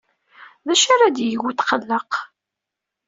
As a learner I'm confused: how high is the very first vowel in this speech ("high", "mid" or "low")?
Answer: low